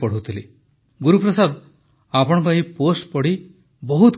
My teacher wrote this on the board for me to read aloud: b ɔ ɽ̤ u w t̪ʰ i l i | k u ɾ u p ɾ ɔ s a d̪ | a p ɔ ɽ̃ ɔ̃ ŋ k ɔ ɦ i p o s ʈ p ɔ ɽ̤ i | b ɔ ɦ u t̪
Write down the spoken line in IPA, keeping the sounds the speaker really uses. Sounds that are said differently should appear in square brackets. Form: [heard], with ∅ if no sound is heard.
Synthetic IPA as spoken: [p] ɔ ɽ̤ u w t̪ʰ i l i | [ɡ] u ɾ u p ɾ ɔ s a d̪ | a p ɔ ɽ̃ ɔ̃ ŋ k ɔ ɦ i p o s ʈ p ɔ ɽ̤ i | b ɔ ɦ u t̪